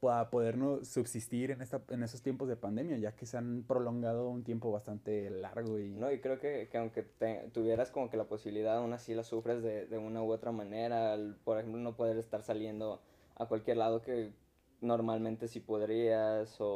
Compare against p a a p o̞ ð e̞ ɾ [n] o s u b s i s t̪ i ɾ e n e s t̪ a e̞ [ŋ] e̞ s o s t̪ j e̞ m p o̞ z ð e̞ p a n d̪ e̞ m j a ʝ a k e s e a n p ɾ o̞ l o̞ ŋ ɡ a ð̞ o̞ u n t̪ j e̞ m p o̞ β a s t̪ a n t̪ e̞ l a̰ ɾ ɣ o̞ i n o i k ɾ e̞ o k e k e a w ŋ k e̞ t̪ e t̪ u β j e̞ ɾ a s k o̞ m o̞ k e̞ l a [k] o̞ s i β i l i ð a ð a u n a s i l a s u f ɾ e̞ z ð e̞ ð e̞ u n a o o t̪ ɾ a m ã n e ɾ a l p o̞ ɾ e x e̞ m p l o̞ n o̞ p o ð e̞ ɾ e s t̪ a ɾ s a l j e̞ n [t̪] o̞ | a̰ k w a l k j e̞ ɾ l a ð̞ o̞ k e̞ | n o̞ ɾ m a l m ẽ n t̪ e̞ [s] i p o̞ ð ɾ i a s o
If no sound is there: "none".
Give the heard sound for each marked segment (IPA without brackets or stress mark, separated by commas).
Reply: n, n, p, d̪, s